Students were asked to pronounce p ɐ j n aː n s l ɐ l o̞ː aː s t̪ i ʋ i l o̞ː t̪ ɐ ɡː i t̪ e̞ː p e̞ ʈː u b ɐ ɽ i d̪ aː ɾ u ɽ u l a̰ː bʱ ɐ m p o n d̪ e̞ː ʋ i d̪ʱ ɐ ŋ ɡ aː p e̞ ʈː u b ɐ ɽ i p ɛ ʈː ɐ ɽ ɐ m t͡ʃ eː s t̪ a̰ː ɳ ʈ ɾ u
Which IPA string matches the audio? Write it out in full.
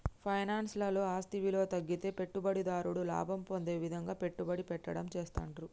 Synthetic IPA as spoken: pʰ ɐ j n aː n s l ɐ l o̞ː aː s t̪ i ʋ i l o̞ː t̪ ɐ ɡː i t̪ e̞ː p e̞ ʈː u b ɐ ɽ i d̪ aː ɾ u ɽ u l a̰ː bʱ ɐ m p o n d̪ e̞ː ʋ i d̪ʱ ɐ ŋ ɡ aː p e̞ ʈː u b ɐ ɽ i p ɛ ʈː ɐ ɽ ɐ m t͡ʃ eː s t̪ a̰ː ɳ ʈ ɾ u